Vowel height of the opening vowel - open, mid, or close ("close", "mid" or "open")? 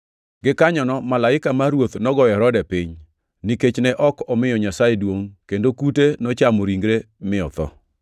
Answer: close